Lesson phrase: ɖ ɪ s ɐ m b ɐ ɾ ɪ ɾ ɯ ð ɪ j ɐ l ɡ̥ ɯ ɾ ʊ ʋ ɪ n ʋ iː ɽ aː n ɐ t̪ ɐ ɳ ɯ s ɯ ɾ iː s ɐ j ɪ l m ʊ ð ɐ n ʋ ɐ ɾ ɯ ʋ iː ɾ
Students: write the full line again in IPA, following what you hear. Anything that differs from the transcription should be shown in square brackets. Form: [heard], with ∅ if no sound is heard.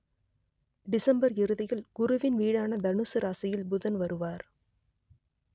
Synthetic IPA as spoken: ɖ ɪ s ɐ m b ɐ ɾ ɪ ɾ ɯ ð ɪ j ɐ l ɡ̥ [ʊ] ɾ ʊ ʋ ɪ n ʋ iː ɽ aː n ɐ [d̪] ɐ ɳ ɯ s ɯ ɾ [aː] s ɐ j ɪ l [b] ʊ ð ɐ n ʋ ɐ ɾ ɯ ʋ [aː] ɾ